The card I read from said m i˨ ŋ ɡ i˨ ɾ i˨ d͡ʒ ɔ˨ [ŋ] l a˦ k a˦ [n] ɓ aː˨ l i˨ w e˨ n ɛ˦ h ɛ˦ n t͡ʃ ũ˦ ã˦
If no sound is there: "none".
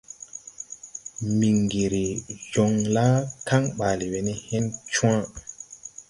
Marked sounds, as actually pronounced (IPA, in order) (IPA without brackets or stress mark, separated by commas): ŋ, ŋ